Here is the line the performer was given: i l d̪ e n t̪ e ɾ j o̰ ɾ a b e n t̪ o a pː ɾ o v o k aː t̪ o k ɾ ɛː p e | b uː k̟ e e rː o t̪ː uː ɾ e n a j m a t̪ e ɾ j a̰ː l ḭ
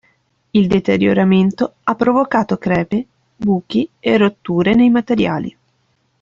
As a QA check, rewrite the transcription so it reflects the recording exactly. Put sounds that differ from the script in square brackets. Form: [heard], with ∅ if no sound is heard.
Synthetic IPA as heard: i l d̪ e [∅] t̪ e ɾ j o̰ ɾ a [m] e n t̪ o a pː ɾ o v o k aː t̪ o k ɾ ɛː p e | b uː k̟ [i] e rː o t̪ː uː ɾ e n [e] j m a t̪ e ɾ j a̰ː l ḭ